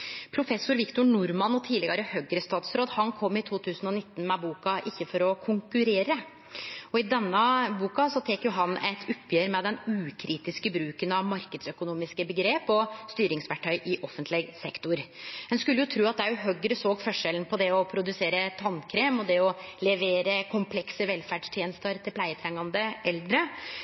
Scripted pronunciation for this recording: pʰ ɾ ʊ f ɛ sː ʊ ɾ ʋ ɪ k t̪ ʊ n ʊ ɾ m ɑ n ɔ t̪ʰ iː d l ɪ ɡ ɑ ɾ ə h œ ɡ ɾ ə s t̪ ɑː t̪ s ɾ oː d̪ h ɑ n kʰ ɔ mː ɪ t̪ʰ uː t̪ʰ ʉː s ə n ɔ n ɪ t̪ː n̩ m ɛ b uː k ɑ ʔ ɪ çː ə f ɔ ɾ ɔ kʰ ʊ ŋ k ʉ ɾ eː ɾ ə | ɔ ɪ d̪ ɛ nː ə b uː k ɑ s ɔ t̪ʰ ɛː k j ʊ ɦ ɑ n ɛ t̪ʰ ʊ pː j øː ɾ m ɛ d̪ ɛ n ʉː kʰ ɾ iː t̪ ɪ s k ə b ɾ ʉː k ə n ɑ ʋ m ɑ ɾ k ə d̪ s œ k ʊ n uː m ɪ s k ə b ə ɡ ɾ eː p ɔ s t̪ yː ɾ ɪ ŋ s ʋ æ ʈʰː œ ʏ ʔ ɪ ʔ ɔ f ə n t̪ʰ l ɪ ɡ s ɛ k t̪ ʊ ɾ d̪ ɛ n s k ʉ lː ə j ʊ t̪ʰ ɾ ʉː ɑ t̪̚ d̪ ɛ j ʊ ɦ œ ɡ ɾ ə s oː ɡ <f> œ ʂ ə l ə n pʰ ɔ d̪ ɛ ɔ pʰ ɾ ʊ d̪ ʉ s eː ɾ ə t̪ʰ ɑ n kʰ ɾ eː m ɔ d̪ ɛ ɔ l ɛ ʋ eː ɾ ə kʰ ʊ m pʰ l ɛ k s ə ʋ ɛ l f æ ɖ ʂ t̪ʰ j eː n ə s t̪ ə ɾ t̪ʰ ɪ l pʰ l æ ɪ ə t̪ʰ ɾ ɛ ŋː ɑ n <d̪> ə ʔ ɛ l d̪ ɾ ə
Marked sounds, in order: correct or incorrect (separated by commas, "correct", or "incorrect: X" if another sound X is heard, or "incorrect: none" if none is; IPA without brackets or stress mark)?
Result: correct, correct